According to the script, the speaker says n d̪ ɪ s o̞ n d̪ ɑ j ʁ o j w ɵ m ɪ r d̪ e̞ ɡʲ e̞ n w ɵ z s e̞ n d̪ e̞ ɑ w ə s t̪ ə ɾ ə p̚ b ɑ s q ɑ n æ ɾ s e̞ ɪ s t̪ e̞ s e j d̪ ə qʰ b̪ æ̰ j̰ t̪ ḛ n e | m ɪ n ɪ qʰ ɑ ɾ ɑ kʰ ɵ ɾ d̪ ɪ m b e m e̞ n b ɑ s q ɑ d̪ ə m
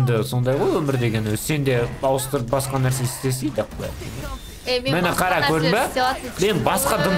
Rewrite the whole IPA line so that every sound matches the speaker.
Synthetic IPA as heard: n d̪ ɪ s o̞ n d̪ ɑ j ʁ o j w ɵ m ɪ ɾ d̪ e̞ ɡʲ e̞ n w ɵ z s e̞ n d̪ e̞ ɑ w ə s t̪ ə ɾ ə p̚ b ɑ s q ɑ n æ ɾ s e̞ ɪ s t̪ e̞ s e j d̪ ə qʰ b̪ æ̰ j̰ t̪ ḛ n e | m ɪ n ɪ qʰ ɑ ɾ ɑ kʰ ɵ ɾ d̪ ɪ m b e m e̞ n b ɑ s q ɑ d̪ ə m